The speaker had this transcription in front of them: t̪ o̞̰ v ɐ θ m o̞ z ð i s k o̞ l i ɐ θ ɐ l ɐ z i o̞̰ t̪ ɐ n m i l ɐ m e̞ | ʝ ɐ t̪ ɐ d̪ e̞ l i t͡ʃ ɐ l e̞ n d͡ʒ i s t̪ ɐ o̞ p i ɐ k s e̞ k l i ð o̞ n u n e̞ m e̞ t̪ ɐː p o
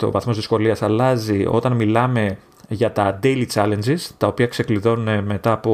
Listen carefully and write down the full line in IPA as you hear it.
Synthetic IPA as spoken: t̪ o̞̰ v ɐ θ m o̞ z ð i s k o̞ l i ɐ s ɐ l ɐ z i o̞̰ t̪ ɐ n m i l ɐ m e̞ | ʝ ɐ t̪ ɐ d̪ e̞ l i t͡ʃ ɐ l e̞ n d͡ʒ i s t̪ ɐ o̞ p i ɐ k s e̞ k l i ð o̞ n u n e̞ m e̞ t̪ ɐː p o